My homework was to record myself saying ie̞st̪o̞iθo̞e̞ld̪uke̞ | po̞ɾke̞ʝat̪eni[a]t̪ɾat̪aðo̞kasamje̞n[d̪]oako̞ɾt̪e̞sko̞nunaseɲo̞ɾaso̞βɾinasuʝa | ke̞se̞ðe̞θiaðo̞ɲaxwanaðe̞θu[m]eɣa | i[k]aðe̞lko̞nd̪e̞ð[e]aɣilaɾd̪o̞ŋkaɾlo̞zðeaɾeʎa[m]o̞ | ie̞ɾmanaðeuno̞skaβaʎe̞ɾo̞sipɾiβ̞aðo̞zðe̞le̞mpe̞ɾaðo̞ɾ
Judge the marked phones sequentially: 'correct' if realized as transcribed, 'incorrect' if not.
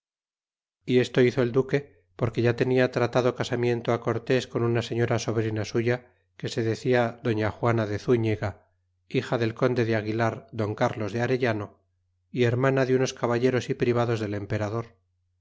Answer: correct, incorrect: t̪, incorrect: ɲ, incorrect: x, correct, incorrect: n

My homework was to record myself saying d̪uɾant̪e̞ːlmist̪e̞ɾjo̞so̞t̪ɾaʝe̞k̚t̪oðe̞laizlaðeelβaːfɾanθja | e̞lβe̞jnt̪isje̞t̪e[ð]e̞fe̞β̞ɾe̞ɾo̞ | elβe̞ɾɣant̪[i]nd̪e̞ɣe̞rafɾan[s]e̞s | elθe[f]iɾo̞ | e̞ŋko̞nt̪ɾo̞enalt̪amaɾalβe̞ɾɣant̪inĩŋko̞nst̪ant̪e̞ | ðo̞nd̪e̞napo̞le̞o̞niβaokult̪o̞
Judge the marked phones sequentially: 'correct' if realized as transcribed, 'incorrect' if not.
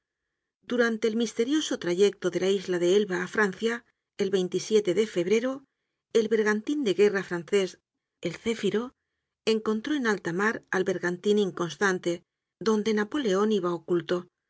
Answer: correct, correct, incorrect: θ, correct

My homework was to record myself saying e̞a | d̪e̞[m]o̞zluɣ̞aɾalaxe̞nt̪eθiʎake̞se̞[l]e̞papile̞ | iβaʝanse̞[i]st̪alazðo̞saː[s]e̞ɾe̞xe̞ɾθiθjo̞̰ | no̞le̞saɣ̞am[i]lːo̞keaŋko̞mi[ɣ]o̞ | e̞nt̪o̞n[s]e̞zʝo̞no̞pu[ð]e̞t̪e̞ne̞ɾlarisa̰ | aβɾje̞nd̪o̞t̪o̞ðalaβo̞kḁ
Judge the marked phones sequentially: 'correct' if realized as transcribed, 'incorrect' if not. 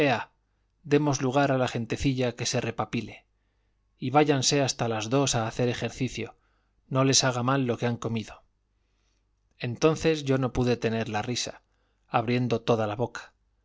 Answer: correct, incorrect: r, incorrect: a, incorrect: θ, incorrect: a, incorrect: ð, incorrect: θ, correct

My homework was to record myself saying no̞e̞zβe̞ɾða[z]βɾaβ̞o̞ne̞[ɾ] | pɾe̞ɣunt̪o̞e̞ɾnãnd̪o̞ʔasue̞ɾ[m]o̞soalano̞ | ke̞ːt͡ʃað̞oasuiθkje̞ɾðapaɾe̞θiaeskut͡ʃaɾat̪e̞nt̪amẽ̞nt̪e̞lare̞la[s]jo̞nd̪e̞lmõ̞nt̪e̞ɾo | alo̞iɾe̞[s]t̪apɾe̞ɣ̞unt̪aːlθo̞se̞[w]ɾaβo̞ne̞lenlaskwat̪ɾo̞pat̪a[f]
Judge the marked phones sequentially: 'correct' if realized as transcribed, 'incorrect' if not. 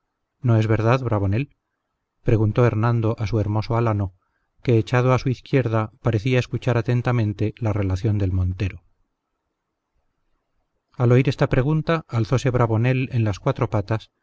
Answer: incorrect: ð, incorrect: l, correct, incorrect: θ, correct, incorrect: β, incorrect: s

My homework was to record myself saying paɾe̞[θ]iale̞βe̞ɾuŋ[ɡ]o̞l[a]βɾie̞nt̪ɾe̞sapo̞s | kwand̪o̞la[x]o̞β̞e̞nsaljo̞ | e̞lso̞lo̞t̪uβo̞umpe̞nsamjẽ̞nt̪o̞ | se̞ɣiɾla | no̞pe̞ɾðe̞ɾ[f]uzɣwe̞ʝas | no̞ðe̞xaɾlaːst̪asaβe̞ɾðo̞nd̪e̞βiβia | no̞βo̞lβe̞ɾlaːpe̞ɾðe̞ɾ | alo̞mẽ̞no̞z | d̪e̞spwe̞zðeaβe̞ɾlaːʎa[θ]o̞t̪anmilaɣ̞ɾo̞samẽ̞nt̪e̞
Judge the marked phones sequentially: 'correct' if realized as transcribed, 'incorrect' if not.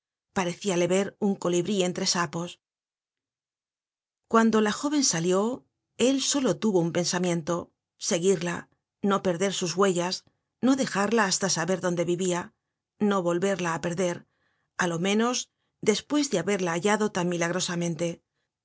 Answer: correct, incorrect: k, incorrect: i, correct, incorrect: s, incorrect: ð

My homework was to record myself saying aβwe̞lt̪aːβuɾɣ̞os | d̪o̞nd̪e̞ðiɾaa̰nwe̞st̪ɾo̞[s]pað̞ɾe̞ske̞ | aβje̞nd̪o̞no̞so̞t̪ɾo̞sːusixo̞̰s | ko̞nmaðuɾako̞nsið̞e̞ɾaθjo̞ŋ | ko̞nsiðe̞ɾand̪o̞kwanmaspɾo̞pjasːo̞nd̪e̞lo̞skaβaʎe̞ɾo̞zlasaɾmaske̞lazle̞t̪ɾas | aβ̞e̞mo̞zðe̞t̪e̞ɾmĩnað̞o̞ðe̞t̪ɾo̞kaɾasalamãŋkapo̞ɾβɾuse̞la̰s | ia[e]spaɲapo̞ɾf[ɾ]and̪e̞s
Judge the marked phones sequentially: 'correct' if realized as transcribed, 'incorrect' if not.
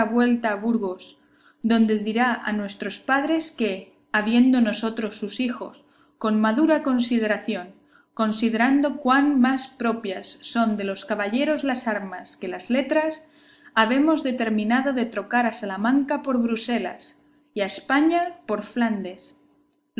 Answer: correct, correct, incorrect: l

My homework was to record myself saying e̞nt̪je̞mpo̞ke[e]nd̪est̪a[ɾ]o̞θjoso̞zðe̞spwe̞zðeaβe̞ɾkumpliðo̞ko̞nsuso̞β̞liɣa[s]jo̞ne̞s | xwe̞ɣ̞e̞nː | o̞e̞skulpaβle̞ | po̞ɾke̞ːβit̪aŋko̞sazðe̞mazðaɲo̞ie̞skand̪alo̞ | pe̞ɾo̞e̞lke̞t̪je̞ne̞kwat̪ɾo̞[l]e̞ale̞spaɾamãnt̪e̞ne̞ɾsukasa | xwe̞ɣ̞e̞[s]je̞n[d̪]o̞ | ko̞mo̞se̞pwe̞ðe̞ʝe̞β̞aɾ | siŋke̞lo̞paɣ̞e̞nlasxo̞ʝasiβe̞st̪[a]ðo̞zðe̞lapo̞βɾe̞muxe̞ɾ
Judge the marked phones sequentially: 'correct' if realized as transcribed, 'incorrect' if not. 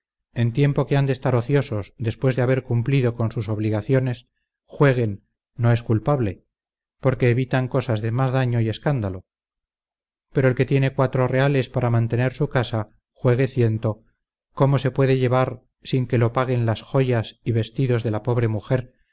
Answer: incorrect: a, correct, incorrect: θ, incorrect: r, incorrect: θ, incorrect: t̪, incorrect: i

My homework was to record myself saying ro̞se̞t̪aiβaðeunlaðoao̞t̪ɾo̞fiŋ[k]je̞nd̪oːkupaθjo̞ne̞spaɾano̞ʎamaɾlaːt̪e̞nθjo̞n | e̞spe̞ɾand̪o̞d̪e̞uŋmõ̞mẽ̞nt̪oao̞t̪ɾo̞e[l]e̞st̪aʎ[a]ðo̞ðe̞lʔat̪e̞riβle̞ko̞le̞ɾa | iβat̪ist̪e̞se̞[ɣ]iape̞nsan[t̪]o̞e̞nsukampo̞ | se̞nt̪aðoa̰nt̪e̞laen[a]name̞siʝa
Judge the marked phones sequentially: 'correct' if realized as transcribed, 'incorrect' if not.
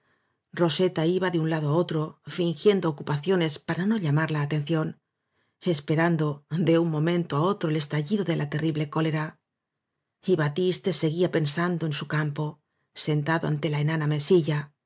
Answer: incorrect: x, correct, incorrect: i, correct, incorrect: d̪, correct

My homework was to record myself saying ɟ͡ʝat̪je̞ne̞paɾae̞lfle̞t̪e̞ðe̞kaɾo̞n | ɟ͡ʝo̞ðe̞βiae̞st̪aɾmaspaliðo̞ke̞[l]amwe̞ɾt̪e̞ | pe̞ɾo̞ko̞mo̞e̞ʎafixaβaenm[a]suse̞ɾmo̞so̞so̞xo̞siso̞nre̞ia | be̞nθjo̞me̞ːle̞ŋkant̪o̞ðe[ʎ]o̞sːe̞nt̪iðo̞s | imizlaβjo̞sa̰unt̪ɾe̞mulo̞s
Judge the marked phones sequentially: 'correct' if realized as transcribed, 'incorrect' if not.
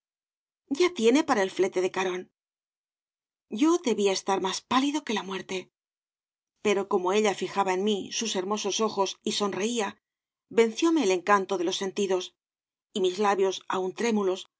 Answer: correct, incorrect: i, incorrect: l

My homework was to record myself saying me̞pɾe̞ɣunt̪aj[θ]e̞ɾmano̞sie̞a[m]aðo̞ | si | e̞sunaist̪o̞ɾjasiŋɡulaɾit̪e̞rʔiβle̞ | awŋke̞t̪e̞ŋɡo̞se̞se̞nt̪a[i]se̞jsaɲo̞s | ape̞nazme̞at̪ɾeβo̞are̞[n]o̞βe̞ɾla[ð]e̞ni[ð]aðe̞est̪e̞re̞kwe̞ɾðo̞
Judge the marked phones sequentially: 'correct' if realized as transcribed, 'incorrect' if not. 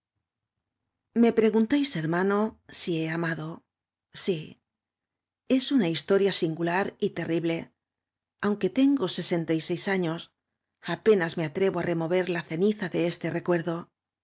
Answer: incorrect: s, correct, incorrect: j, incorrect: m, incorrect: θ, incorrect: θ

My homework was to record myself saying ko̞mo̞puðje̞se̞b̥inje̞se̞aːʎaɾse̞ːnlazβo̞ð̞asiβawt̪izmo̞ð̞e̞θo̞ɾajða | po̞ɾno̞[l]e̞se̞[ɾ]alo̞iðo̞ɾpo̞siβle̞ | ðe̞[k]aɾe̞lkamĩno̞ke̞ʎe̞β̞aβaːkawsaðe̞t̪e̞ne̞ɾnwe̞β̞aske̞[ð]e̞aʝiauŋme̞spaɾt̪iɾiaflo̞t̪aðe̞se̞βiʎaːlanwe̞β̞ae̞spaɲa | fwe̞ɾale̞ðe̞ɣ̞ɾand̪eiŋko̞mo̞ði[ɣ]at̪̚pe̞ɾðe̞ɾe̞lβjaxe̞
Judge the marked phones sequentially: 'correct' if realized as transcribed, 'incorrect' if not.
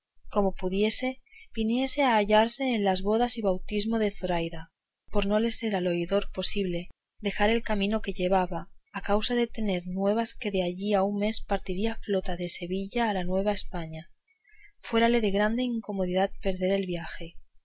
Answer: correct, correct, incorrect: x, correct, incorrect: ð

